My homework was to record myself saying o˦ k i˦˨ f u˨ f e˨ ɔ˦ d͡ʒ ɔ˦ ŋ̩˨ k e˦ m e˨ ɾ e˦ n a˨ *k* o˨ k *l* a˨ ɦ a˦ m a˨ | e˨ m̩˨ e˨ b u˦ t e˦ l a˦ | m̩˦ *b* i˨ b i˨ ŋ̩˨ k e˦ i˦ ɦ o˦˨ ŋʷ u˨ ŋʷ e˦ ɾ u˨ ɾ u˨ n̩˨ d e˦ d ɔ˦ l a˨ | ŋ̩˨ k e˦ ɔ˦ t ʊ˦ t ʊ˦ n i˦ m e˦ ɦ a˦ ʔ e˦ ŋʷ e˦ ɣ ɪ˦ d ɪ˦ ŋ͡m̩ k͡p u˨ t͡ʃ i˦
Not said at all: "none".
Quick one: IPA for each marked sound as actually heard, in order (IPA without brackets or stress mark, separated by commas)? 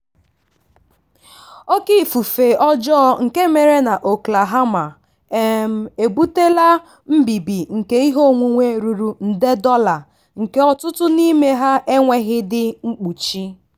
ʔ, l, b